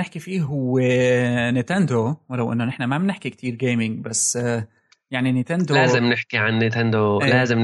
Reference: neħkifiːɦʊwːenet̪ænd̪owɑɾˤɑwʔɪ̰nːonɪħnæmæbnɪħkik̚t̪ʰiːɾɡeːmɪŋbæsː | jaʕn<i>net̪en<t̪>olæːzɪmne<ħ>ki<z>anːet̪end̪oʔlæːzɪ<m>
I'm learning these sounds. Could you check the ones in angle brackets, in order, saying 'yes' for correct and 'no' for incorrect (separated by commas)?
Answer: yes, no, yes, no, yes